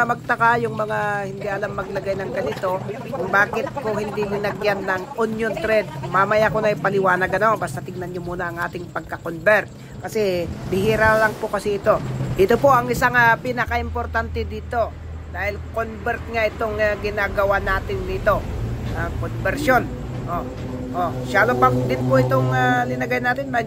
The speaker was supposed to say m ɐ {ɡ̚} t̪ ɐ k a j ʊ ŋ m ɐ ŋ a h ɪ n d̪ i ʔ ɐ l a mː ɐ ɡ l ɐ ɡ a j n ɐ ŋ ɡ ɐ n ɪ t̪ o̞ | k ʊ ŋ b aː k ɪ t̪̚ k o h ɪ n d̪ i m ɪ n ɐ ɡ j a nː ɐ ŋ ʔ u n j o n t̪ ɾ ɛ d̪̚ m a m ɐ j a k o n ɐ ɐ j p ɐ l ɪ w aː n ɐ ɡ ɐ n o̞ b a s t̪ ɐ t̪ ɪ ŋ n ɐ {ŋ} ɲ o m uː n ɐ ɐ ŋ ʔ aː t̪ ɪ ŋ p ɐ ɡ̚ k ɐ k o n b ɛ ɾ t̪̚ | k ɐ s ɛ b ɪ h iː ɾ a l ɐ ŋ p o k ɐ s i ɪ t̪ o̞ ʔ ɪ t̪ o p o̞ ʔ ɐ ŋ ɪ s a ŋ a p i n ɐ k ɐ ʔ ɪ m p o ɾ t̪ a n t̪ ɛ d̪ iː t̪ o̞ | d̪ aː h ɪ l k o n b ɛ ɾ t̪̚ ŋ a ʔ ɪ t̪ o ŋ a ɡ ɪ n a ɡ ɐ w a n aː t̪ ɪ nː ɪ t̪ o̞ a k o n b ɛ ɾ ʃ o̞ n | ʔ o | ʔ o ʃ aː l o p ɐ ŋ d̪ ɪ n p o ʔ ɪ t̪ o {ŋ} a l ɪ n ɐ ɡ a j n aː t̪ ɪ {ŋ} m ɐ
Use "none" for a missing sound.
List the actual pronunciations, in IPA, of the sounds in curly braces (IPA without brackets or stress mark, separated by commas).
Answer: ɡ̚, n, ŋ, n